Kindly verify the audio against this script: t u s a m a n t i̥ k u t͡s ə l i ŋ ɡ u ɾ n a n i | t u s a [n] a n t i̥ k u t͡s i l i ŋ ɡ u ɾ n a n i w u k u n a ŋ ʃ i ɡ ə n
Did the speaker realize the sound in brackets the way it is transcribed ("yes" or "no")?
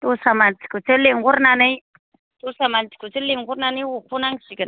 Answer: no